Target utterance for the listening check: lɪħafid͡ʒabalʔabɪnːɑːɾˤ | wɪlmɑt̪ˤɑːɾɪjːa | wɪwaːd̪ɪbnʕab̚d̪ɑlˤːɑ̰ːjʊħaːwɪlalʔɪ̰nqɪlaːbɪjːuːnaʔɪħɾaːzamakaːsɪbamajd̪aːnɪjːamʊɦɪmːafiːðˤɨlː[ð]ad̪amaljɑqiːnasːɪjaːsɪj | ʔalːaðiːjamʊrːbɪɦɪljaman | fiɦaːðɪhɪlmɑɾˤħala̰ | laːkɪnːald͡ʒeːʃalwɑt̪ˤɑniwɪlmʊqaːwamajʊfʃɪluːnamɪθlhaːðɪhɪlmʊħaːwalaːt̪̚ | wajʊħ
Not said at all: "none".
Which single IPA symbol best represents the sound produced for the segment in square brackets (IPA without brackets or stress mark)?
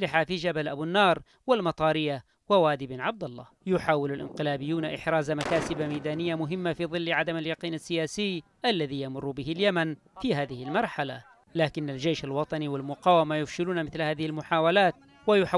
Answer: ʕ